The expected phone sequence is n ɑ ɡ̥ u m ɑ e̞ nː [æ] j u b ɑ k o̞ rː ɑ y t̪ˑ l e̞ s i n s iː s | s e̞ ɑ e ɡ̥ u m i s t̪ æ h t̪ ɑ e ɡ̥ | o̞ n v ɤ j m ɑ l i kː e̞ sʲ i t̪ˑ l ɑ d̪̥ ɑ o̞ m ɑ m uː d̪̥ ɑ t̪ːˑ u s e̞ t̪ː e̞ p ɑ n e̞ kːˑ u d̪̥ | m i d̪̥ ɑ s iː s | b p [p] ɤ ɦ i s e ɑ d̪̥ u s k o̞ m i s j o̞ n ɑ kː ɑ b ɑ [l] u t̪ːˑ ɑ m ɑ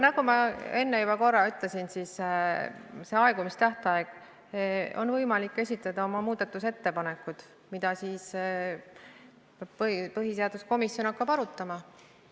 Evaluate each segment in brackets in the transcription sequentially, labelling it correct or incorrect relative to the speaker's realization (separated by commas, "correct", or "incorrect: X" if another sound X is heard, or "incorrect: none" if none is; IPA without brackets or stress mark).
incorrect: e, correct, incorrect: ɾ